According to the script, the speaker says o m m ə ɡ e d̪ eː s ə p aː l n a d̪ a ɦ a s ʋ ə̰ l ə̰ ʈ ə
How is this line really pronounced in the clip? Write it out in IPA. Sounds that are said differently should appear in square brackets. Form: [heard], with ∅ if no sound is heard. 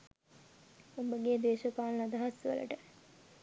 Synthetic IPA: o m [b] ə ɡ e d̪ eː [ʃ] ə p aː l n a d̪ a ɦ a s ʋ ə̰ l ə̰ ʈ ə